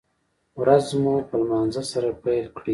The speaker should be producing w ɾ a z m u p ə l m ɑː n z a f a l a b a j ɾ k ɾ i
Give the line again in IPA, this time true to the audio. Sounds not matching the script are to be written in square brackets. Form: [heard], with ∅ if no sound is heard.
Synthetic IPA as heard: w ɾ a z m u p ə l m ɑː n z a [s] a [ɾ] a [p] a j [l] k [ɽ] i